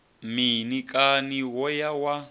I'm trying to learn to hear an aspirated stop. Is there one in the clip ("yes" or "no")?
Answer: no